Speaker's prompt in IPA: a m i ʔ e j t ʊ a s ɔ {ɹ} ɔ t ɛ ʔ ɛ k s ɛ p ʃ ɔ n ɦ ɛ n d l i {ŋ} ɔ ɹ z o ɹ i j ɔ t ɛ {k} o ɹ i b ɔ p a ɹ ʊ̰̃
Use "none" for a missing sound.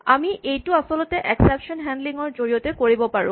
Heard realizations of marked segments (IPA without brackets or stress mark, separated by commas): l, ŋ, k